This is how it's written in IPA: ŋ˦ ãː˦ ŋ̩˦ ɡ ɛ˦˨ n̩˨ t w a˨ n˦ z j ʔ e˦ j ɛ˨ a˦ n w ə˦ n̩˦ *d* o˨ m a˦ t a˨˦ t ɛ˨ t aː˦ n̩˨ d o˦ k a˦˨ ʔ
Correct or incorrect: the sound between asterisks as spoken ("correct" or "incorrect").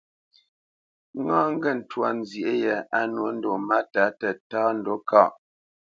correct